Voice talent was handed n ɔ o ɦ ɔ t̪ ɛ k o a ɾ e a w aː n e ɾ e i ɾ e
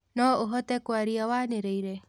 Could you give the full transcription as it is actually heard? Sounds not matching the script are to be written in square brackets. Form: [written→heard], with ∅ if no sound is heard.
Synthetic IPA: n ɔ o ɦ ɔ t̪ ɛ k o a ɾ [e→i] a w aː n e ɾ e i ɾ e